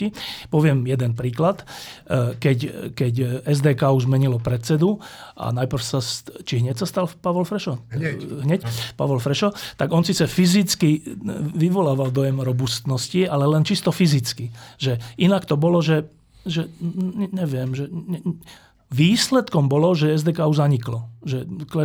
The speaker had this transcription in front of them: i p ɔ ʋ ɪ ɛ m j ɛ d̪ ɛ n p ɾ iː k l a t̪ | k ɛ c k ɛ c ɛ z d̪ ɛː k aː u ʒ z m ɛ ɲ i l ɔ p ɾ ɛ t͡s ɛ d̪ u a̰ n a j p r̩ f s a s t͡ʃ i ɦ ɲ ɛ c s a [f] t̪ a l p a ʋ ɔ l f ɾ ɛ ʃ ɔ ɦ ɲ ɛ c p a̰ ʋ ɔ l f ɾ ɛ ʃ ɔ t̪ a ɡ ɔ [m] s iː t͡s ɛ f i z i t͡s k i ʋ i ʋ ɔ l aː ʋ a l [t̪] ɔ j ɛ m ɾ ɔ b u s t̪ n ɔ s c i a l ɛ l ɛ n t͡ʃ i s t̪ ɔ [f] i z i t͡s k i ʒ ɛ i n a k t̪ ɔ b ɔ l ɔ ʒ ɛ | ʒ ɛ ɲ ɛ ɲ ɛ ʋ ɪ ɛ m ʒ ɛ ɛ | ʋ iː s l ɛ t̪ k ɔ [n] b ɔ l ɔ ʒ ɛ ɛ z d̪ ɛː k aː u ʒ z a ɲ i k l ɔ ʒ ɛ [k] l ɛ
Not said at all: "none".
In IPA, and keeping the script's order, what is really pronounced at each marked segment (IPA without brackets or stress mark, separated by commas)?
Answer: s, n, d̪, f, m, k